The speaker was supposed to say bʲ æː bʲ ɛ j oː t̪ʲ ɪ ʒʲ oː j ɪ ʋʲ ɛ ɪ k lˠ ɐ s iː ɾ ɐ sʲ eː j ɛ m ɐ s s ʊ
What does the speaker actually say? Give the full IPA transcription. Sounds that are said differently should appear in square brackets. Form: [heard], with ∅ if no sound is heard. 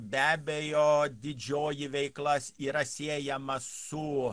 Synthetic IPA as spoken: bʲ æː bʲ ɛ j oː [d̪ʲ] ɪ [d͡ʒʲ] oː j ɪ ʋʲ ɛ ɪ k lˠ ɐ s iː ɾ ɐ sʲ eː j ɛ m ɐ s s ʊ

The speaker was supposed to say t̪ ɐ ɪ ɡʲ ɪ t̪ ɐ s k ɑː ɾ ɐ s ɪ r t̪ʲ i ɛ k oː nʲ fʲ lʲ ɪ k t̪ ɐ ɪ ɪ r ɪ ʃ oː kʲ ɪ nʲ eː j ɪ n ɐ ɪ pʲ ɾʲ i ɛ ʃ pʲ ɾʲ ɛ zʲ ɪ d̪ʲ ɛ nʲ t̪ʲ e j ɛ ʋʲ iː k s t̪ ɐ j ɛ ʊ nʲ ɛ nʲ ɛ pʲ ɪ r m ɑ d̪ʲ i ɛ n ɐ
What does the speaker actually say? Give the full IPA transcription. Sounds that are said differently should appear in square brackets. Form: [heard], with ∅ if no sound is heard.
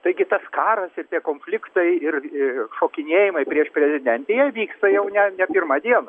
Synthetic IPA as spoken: t̪ ɐ ɪ ɡʲ ɪ t̪ ɐ s k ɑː ɾ ɐ s ɪ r t̪ʲ i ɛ k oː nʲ fʲ lʲ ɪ k t̪ ɐ ɪ ɪ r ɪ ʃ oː kʲ ɪ nʲ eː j ɪ [m] ɐ ɪ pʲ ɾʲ i ɛ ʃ pʲ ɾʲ ɛ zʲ ɪ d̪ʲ ɛ nʲ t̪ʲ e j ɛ ʋʲ iː k s t̪ ɐ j ɛ ʊ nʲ ɛ nʲ ɛ pʲ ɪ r m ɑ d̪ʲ i ɛ n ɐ

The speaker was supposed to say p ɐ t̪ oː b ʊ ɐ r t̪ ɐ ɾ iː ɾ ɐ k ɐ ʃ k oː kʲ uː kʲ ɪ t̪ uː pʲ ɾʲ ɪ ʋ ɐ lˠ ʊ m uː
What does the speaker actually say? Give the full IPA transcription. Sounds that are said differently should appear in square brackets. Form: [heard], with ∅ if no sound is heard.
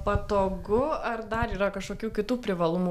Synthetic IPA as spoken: p ɐ t̪ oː [ɡ] ʊ ɐ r [d̪] ɐ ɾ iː ɾ ɐ k ɐ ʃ k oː kʲ uː kʲ ɪ t̪ uː pʲ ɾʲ ɪ ʋ ɐ lˠ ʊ m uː

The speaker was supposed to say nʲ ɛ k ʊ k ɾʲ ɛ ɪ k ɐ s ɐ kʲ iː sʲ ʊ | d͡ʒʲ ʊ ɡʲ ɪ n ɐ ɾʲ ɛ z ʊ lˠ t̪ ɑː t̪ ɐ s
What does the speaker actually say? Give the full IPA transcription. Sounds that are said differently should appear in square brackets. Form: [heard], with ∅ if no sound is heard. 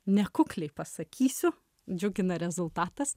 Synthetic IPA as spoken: nʲ ɛ k ʊ k [lʲ] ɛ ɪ [p] ɐ s ɐ kʲ iː sʲ ʊ | d͡ʒʲ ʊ ɡʲ ɪ n ɐ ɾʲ ɛ z ʊ lˠ t̪ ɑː t̪ ɐ s

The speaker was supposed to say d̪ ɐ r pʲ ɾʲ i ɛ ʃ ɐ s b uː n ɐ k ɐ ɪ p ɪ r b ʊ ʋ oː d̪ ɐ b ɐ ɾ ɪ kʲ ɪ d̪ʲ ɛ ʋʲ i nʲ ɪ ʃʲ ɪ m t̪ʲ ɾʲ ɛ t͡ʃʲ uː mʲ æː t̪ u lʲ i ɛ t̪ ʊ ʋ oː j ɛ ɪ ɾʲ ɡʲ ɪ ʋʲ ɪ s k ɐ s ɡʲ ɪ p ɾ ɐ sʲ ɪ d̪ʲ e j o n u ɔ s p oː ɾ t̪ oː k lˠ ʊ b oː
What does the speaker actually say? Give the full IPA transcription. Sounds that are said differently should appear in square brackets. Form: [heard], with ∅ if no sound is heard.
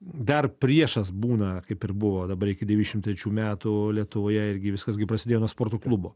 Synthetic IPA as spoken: d̪ ɐ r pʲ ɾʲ i ɛ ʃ ɐ s b uː n ɐ k ɐ ɪ p ɪ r b ʊ ʋ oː d̪ ɐ b ɐ ɾ ɪ kʲ ɪ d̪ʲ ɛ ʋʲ i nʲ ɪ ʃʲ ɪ m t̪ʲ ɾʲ ɛ t͡ʃʲ uː mʲ æː t̪ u lʲ i ɛ t̪ ʊ ʋ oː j ɛ ɪ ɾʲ ɡʲ ɪ ʋʲ ɪ s k ɐ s ɡʲ ɪ p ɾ ɐ sʲ ɪ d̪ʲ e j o n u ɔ s p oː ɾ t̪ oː k lˠ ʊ b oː

